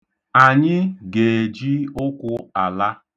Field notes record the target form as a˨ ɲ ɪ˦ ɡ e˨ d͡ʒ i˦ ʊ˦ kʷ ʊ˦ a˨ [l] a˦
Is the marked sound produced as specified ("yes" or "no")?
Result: yes